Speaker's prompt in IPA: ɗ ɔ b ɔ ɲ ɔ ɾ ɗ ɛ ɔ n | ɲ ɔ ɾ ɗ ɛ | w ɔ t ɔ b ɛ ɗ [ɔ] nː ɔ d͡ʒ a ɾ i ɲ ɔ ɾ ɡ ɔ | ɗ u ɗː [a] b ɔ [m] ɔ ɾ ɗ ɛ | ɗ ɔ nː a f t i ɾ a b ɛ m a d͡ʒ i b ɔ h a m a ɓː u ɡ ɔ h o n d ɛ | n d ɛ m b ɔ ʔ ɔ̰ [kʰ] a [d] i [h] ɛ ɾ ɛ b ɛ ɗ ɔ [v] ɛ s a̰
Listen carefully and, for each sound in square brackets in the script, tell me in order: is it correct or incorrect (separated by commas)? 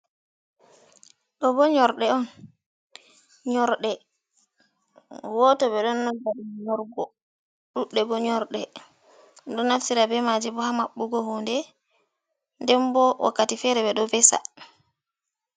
correct, incorrect, incorrect, incorrect, incorrect, incorrect, correct